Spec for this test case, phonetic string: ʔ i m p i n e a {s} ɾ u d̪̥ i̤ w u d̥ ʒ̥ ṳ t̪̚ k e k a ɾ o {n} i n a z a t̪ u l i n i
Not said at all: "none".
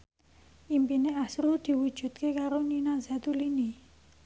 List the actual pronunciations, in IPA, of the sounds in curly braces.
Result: s, n

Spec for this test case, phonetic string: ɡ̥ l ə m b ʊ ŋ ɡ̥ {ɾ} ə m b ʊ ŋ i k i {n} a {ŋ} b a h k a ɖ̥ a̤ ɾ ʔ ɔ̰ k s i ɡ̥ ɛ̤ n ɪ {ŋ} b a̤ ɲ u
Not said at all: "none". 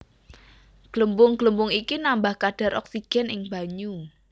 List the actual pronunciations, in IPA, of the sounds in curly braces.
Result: l, n, m, ŋ

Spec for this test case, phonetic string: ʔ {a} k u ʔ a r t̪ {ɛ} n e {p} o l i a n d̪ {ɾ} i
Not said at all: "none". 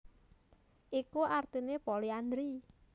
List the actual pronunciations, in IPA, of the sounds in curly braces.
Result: i, i, p, ɾ

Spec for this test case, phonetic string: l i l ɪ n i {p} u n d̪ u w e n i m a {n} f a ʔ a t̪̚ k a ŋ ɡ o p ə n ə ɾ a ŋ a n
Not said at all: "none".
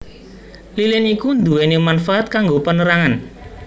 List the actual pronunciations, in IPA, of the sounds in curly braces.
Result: k, n

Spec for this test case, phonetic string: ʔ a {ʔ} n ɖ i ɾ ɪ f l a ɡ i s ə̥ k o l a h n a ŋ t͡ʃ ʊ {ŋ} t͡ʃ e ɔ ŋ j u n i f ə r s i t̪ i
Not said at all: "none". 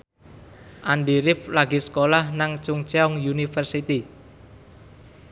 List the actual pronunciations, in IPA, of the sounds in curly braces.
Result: none, ŋ

